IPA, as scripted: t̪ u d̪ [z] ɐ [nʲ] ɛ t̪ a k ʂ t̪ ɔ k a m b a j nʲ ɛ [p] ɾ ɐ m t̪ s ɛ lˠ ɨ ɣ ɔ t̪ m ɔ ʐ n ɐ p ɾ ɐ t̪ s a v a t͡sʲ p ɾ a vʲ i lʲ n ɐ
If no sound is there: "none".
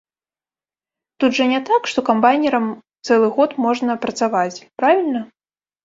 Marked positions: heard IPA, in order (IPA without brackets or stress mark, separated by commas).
ʐ, nʲ, none